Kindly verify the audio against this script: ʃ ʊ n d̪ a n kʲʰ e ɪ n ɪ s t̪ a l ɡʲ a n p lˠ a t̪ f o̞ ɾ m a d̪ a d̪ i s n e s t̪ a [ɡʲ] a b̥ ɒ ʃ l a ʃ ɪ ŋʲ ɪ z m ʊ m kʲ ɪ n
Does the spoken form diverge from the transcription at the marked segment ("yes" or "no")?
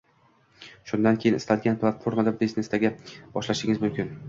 no